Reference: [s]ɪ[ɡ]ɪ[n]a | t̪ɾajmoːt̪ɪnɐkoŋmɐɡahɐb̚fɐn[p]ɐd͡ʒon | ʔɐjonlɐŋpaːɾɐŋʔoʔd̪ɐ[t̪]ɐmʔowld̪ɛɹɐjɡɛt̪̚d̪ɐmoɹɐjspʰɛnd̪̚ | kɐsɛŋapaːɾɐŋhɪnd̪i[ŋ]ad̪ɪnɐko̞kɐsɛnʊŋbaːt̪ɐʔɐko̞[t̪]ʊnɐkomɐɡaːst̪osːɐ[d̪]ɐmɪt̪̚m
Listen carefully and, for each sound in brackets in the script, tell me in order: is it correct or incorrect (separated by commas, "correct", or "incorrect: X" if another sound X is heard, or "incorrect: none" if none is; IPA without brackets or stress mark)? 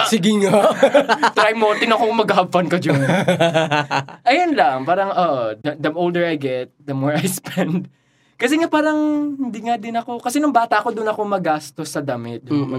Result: correct, correct, incorrect: ŋ, incorrect: k, incorrect: d̪, correct, incorrect: d̪, correct